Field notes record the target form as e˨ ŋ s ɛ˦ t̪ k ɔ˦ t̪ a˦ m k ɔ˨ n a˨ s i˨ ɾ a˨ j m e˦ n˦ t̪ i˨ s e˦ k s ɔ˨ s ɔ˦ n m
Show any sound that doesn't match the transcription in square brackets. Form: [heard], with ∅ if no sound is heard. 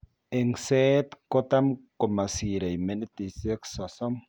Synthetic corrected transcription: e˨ ŋ s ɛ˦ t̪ k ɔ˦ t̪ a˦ m k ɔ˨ [m] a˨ s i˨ ɾ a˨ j m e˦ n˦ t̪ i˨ s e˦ k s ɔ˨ s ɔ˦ [∅] m